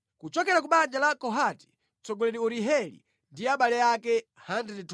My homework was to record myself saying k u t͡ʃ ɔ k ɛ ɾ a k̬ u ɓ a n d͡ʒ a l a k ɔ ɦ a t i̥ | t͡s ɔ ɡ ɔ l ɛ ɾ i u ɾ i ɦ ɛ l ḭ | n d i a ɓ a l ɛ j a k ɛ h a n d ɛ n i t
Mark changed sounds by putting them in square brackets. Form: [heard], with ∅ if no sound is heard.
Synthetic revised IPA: k u t͡ʃ ɔ k ɛ ɾ a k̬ u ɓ a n d͡ʒ a l a k ɔ ɦ a t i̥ | t͡s ɔ ɡ ɔ l ɛ ɾ i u ɾ i ɦ ɛ l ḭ | n d i a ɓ a l ɛ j a k ɛ h a n d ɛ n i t